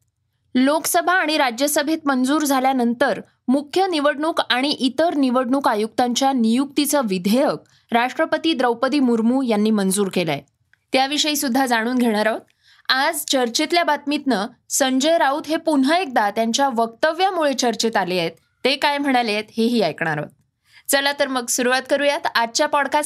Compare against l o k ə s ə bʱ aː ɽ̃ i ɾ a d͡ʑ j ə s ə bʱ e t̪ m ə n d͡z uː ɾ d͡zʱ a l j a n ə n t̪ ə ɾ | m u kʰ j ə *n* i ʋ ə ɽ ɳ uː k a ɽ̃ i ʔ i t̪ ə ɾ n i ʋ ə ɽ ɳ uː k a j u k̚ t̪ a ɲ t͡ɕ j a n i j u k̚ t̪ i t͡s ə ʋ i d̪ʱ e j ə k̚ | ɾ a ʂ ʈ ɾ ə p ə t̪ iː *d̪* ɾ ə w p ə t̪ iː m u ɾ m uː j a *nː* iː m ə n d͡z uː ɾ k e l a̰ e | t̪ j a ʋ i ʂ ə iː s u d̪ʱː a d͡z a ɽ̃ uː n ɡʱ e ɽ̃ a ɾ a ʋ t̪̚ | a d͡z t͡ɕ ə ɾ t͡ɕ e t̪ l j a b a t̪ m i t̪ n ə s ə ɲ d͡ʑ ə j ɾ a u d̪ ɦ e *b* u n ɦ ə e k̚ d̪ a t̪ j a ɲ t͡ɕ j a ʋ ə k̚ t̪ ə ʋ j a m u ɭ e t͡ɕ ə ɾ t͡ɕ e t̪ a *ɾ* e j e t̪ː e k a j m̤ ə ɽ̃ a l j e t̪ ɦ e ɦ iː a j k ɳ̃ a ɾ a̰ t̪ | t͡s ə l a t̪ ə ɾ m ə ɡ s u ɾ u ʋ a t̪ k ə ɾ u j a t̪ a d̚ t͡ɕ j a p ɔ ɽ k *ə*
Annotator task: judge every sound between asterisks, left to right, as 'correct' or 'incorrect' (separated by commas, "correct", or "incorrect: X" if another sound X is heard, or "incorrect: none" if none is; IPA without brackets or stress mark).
correct, correct, correct, incorrect: p, incorrect: l, incorrect: a